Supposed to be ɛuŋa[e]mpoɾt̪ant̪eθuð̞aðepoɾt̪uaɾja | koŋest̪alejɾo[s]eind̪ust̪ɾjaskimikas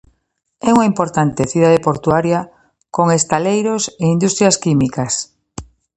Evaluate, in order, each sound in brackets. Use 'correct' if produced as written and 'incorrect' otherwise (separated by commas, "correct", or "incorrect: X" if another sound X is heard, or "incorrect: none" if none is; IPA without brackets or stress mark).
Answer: incorrect: i, correct